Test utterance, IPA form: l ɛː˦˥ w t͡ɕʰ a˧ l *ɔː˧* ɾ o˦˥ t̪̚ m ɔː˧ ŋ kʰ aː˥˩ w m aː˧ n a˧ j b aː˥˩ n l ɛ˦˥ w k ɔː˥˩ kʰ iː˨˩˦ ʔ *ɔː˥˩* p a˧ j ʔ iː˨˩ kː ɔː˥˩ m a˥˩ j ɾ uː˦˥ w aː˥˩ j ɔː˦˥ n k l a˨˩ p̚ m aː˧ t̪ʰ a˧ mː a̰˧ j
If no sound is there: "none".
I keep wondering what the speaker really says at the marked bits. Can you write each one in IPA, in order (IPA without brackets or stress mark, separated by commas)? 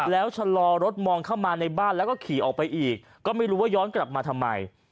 ɔː˧, ɔː˨˩